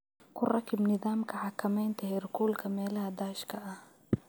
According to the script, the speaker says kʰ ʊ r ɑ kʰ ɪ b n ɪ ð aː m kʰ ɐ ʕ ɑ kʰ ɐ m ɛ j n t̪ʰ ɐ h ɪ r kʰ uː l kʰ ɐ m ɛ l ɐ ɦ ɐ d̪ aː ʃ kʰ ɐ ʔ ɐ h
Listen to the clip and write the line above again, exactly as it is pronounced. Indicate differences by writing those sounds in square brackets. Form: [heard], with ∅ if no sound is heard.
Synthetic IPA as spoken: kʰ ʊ r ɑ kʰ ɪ b n ɪ ð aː m kʰ ɐ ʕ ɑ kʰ ɐ m ɛ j n t̪ʰ ɐ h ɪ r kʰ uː l kʰ ɐ m [ɛː] l ɐ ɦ ɐ d̪ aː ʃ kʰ ɐ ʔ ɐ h